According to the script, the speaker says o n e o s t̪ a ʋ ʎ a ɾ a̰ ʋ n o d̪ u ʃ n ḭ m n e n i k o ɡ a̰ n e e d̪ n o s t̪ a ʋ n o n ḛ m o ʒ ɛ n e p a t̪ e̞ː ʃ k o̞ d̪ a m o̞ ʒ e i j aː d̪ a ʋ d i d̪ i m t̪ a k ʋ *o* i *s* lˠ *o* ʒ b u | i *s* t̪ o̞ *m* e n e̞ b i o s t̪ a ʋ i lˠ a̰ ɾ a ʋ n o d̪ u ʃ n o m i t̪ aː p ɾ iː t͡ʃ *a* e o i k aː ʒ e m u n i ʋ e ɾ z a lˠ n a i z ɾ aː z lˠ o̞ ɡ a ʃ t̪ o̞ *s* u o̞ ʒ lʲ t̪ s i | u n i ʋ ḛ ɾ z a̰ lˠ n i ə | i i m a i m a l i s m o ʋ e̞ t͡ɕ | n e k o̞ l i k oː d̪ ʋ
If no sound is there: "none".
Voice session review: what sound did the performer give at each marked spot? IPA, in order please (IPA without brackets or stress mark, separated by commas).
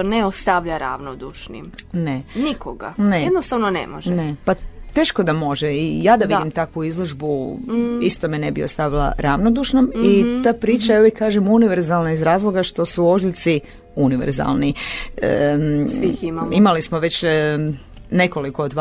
u, z, o, s, m, a, s